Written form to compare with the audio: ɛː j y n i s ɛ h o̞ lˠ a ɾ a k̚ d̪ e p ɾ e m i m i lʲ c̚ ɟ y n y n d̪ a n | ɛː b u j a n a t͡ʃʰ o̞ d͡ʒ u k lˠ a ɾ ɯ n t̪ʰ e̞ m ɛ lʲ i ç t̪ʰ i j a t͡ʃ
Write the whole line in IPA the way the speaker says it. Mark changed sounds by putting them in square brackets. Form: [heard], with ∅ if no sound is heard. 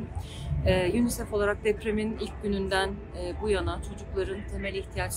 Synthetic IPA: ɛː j y n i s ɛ [f] o̞ lˠ a ɾ a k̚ d̪ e p ɾ e m i [n] i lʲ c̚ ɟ y n y n d̪ [æ] n | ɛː b u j a n a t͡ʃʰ o̞ d͡ʒ u k lˠ a ɾ ɯ n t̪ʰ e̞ m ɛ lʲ i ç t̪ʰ i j a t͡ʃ